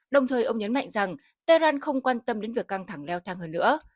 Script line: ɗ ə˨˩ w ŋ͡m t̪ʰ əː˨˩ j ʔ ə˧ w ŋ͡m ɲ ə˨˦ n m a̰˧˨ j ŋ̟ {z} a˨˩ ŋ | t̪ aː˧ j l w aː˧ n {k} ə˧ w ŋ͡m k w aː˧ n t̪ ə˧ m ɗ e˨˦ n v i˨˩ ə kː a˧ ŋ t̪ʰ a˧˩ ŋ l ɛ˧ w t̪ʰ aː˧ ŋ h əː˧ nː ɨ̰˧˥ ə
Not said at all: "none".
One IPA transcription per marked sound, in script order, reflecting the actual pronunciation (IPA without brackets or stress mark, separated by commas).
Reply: z, x